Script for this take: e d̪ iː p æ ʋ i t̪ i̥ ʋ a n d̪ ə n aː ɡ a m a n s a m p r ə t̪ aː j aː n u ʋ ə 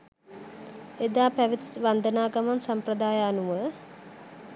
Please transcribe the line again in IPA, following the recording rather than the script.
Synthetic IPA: e d̪ aː p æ ʋ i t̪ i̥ ʋ a n d̪ ə n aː ɡ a m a n s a m p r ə d̪ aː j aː n u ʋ ə